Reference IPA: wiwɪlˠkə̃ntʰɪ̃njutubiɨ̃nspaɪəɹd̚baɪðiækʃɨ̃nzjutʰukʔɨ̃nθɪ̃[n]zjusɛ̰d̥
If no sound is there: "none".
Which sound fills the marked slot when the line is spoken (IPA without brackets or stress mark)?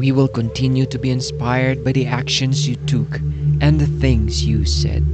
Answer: ŋ